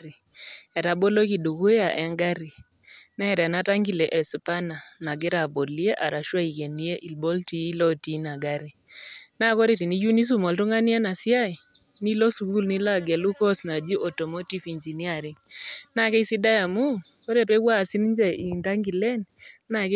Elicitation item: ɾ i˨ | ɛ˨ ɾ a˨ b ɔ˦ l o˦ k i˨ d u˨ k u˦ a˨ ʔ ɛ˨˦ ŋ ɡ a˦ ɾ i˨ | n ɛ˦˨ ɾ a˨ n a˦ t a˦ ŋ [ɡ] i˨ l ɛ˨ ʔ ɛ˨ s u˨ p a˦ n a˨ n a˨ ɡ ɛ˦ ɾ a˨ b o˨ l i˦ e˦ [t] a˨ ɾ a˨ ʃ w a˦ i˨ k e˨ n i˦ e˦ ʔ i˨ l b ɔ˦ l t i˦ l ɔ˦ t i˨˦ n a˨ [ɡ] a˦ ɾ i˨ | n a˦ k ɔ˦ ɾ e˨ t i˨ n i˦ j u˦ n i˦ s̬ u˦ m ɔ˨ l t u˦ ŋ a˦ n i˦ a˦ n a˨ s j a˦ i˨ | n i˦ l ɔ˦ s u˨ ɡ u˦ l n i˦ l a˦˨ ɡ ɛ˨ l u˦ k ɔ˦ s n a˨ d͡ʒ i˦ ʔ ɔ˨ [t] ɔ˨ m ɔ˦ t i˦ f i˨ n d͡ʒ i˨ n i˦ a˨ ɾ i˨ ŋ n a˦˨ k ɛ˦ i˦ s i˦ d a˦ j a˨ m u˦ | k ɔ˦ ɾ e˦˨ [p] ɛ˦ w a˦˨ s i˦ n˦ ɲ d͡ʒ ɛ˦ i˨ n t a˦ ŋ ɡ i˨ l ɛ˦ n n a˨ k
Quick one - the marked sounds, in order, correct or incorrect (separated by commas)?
correct, incorrect, correct, correct, correct